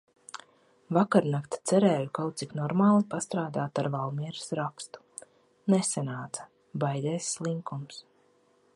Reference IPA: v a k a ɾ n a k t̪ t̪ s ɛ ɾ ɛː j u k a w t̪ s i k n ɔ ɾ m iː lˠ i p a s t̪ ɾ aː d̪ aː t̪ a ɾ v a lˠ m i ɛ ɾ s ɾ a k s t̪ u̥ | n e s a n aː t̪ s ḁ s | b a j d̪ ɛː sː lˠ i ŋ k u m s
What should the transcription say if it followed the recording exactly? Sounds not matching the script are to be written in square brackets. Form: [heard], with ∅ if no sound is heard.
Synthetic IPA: v a k a ɾ n a k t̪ t̪ s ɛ ɾ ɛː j u k a w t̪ s i k n ɔ ɾ m [aː] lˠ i p a s t̪ ɾ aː d̪ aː t̪ a ɾ v a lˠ m i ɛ ɾ s ɾ a k s t̪ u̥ | n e s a n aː t̪ s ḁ [∅] | b a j d̪ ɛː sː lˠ i ŋ k u m s